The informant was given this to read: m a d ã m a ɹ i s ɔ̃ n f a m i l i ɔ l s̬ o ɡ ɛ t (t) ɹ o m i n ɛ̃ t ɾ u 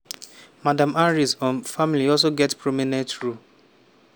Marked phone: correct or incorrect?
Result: incorrect: p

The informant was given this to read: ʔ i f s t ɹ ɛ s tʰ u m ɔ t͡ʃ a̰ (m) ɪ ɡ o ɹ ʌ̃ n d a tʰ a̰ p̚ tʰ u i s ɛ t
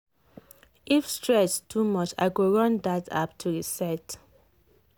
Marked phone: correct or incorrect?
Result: incorrect: none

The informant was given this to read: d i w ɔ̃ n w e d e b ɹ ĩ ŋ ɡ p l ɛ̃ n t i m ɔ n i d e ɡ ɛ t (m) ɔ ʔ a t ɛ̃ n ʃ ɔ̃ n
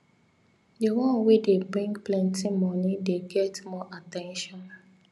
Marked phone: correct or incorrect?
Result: correct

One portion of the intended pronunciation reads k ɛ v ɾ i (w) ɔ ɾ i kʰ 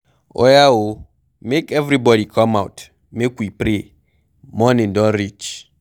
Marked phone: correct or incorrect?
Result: incorrect: b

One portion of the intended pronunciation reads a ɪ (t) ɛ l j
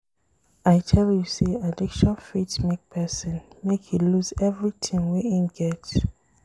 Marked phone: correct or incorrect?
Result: incorrect: tʰ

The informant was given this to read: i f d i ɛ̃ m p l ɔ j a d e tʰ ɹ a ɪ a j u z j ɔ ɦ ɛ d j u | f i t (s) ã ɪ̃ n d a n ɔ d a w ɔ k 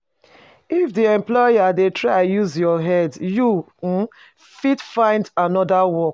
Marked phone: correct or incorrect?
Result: incorrect: f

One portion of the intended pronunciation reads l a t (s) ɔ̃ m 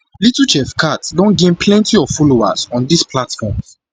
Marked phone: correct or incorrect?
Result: incorrect: f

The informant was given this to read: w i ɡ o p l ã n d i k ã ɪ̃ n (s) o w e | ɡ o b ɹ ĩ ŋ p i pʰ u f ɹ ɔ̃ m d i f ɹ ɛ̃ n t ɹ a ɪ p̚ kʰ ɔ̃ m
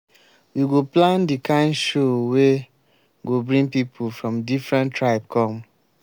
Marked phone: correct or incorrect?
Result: incorrect: ʃ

